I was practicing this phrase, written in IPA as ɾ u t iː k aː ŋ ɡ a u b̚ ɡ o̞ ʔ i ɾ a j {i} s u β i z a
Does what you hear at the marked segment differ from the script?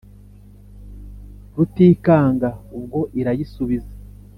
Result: no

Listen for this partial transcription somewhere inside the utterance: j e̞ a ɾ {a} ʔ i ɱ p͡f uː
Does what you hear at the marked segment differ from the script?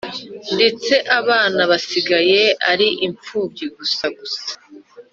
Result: yes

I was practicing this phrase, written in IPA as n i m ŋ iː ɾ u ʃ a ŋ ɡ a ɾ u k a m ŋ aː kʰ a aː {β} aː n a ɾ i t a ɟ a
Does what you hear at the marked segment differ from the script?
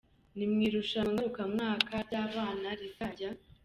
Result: no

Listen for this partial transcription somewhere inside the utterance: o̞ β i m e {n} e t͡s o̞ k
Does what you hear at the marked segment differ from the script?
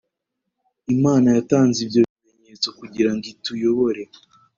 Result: yes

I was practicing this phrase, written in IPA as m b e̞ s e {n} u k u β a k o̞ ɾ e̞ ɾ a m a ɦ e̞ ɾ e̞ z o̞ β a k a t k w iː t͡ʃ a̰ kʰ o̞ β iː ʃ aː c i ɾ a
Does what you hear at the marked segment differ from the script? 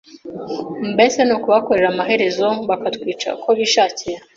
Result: no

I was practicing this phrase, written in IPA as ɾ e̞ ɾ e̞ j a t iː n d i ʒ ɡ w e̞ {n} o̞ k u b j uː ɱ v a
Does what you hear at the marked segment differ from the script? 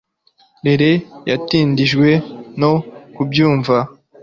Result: no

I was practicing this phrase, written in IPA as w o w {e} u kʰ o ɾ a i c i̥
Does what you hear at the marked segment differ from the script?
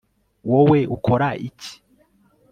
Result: no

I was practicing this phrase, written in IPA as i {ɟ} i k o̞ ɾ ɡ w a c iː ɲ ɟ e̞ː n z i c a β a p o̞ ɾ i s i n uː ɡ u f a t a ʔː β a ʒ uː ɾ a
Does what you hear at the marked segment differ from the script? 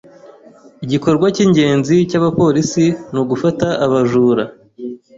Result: no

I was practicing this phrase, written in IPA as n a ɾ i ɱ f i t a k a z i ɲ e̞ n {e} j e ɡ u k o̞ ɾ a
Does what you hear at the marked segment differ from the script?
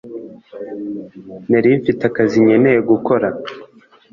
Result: no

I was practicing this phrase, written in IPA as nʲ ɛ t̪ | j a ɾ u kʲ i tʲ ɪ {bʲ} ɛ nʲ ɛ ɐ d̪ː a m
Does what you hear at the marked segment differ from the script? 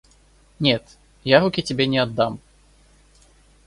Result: no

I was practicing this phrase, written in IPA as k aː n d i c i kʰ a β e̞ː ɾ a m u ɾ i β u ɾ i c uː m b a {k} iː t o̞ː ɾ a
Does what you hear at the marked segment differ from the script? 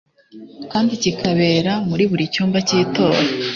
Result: yes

